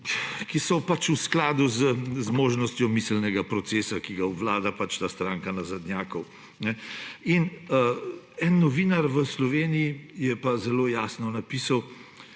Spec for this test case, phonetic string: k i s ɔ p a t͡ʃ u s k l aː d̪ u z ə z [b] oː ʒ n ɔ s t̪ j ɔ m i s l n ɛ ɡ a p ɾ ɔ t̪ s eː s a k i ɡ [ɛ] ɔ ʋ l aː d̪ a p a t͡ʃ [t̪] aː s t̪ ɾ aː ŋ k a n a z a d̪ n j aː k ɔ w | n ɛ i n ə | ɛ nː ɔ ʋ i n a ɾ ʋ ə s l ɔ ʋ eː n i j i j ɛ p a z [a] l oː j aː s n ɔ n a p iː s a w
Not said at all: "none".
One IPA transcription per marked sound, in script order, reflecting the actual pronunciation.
m, a, t̪, ɛ

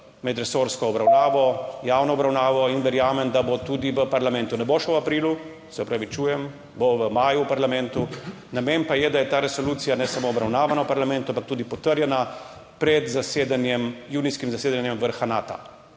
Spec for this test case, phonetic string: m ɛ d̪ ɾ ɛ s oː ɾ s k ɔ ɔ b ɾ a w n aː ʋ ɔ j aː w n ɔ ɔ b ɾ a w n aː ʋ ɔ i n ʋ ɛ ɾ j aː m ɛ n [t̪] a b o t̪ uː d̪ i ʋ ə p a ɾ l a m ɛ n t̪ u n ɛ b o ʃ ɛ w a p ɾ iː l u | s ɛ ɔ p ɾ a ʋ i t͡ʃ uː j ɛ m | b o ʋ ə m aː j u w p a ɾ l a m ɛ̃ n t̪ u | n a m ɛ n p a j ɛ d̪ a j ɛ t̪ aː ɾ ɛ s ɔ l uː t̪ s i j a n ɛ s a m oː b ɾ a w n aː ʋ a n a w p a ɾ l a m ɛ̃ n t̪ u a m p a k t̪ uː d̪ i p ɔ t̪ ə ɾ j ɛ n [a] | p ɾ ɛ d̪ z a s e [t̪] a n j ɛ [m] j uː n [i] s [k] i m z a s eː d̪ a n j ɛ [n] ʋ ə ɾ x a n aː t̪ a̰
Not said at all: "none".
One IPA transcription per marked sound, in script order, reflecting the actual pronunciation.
d̪, a, d̪, m, i, k, m

